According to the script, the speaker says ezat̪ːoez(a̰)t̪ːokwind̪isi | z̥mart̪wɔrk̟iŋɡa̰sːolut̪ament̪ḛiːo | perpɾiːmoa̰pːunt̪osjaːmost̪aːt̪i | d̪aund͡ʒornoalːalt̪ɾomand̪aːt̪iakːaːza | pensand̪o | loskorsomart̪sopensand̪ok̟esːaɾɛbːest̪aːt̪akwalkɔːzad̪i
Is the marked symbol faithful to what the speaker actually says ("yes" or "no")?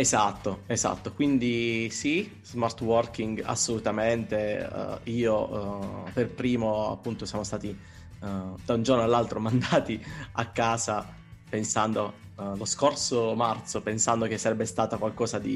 yes